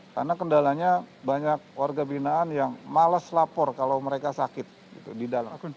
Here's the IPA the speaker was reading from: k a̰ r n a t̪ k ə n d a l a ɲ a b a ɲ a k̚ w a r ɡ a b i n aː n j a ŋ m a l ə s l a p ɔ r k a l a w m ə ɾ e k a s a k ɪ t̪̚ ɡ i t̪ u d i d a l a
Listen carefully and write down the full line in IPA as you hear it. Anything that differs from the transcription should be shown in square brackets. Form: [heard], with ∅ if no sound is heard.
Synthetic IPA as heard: k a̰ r n a [∅] k ə n d a l a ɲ a b a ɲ a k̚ w a r ɡ a b i n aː n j a ŋ m a l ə s l a p ɔ r k a l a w m ə ɾ e k a s a k ɪ t̪̚ ɡ i t̪ u d i d a l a